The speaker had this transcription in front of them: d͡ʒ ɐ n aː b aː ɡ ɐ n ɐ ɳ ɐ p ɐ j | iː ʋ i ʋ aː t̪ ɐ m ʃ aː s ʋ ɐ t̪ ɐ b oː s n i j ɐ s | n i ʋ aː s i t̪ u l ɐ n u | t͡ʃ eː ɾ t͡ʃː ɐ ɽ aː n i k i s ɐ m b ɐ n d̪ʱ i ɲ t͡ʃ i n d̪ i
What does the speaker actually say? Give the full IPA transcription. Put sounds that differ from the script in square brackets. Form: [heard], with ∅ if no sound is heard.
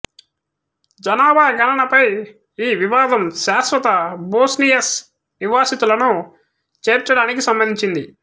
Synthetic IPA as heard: d͡ʒ ɐ n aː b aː ɡ ɐ n ɐ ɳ ɐ p ɐ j | iː ʋ i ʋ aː [d̪] ɐ m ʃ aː s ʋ ɐ t̪ ɐ b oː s n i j ɐ s | n i ʋ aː s i t̪ u l ɐ n u | t͡ʃ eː ɾ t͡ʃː ɐ ɽ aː n i k i s ɐ m b ɐ n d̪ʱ i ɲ t͡ʃ i n d̪ i